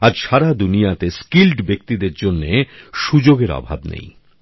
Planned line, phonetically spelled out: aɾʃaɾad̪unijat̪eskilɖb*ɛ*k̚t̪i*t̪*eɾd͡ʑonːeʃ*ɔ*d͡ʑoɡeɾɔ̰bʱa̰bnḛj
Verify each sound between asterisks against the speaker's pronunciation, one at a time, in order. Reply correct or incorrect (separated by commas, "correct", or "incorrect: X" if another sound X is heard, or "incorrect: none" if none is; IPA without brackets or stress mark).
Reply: incorrect: e, incorrect: d̪, incorrect: u